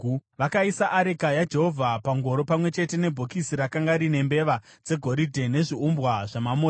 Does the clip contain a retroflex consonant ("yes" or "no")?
yes